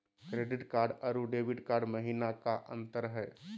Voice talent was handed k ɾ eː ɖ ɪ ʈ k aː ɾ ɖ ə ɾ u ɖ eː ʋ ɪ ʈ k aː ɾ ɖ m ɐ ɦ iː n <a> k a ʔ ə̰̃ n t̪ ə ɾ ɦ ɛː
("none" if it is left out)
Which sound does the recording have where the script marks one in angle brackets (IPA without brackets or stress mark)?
a